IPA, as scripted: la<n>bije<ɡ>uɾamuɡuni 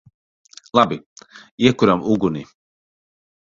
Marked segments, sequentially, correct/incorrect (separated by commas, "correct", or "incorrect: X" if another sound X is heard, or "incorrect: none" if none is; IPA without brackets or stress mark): incorrect: none, incorrect: k